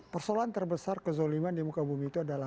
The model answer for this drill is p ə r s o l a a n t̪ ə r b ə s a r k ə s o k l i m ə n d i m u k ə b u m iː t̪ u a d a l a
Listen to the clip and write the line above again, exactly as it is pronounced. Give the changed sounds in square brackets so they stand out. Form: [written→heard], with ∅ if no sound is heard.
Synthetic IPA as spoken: p ə r s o l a a n t̪ ə r b ə s a r k ə [s→z] o [k→∅] l i m [ə→a] n d i m u k [ə→a] b u m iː t̪ u a d a l a